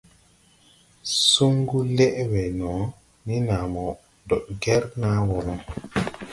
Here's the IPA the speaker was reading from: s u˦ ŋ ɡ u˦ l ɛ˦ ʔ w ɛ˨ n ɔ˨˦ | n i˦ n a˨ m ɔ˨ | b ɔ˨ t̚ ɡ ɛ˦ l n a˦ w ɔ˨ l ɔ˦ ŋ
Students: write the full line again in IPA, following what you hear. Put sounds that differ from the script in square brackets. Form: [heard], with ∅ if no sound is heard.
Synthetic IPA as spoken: s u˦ ŋ ɡ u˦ l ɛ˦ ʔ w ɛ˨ n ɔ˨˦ | n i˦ n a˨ m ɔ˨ | [d] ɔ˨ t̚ ɡ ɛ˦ [ɾ] n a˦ w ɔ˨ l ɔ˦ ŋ